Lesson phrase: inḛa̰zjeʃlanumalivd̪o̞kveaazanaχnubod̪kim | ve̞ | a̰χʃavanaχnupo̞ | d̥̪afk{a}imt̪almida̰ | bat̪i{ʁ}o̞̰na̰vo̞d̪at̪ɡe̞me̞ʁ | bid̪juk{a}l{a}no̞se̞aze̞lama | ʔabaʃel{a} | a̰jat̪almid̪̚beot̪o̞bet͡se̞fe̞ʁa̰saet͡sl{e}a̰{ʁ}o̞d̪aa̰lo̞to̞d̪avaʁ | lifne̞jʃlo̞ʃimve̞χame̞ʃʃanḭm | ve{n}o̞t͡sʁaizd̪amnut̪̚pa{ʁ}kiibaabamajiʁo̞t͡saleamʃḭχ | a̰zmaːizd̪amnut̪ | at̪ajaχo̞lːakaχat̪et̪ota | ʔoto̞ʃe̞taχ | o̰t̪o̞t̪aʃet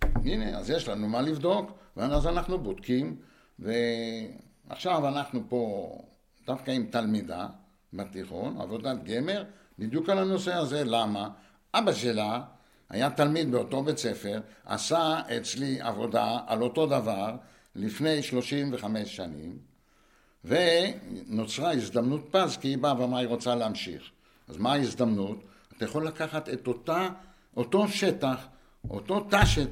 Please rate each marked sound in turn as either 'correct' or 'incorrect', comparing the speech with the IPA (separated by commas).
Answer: correct, incorrect, correct, correct, correct, incorrect, incorrect, correct, incorrect